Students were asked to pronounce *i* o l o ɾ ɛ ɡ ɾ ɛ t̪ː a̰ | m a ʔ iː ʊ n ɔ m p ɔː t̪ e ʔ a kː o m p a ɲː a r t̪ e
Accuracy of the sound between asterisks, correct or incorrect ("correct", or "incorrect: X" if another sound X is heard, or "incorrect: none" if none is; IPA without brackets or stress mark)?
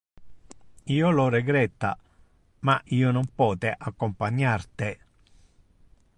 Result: incorrect: iː